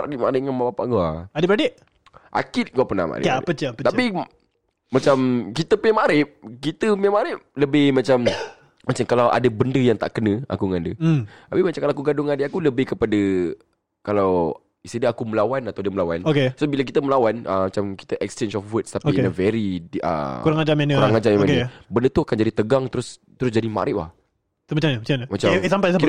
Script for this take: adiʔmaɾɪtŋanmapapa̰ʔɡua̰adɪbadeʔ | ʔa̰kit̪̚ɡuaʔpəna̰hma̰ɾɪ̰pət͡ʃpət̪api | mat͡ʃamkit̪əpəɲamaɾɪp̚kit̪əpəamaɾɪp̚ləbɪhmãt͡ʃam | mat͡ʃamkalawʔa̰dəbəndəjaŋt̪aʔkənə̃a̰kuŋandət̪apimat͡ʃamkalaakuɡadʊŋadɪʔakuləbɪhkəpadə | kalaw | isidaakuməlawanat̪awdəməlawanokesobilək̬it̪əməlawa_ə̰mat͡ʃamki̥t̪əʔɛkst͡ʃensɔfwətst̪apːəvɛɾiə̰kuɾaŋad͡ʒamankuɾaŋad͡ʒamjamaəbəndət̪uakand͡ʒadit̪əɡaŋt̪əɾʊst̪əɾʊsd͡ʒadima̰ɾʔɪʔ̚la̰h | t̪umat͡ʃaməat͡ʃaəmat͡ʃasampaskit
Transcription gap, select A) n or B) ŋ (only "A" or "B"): A